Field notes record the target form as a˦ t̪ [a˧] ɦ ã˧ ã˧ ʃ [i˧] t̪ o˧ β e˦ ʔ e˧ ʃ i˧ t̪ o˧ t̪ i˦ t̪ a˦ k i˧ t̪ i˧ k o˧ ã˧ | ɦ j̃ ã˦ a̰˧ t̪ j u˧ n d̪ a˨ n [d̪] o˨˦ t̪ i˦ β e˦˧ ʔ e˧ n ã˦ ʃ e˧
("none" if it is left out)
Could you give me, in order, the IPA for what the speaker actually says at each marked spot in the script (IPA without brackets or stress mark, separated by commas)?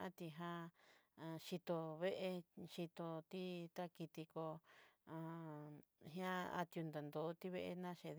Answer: i˧, i˧, d̪